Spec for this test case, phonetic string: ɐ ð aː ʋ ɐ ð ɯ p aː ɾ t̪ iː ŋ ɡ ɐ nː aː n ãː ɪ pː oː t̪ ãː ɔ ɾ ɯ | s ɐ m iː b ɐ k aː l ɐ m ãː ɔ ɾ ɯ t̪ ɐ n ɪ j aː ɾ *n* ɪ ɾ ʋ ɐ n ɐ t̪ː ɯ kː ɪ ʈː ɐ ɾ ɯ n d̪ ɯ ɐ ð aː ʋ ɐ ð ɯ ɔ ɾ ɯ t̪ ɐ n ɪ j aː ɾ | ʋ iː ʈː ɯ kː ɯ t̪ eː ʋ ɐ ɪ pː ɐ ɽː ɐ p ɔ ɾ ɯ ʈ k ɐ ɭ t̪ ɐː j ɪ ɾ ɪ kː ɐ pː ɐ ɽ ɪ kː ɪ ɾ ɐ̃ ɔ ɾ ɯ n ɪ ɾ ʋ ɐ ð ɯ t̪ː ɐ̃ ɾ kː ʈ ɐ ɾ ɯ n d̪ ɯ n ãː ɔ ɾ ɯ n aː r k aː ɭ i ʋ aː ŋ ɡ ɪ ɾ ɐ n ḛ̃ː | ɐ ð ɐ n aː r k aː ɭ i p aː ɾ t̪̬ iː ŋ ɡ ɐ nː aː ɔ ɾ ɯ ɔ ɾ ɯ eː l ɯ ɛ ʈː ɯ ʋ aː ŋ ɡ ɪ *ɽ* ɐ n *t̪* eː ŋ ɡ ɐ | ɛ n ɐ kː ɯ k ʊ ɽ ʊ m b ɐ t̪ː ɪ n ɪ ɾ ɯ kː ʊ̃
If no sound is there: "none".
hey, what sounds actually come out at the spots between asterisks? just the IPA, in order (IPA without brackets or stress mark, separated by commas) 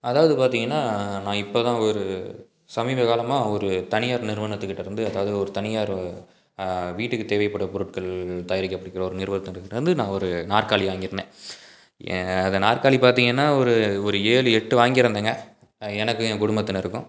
n, ɾ, d̪